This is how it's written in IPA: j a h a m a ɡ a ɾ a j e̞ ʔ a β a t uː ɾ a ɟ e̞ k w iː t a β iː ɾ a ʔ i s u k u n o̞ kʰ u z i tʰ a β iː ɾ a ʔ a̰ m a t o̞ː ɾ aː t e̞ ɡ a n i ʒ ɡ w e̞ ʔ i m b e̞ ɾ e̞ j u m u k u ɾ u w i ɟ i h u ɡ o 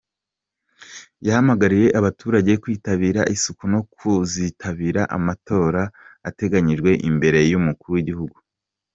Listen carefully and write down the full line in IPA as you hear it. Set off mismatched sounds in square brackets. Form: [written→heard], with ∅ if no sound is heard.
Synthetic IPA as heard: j a h a m a ɡ a ɾ [a→i] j e̞ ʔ a β a t uː ɾ a ɟ e̞ k w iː t a β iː ɾ a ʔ i s u k u n o̞ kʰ u z i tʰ a β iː ɾ a ʔ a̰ m a t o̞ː ɾ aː t e̞ ɡ a [n→ɲ] i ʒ ɡ w e̞ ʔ i m b e̞ ɾ e̞ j u m u k u ɾ u w i ɟ i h u ɡ [o→u]